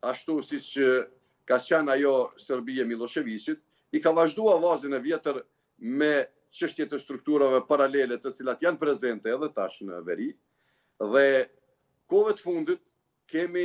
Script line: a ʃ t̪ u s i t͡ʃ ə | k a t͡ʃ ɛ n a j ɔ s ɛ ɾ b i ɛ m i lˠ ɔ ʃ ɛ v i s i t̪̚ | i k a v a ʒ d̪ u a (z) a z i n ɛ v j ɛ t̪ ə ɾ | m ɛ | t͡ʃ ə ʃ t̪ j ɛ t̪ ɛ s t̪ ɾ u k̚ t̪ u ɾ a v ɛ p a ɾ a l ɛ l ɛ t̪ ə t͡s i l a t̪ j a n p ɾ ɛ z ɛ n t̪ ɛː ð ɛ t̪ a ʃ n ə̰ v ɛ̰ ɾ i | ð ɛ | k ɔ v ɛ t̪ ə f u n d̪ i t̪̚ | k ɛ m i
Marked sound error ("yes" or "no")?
yes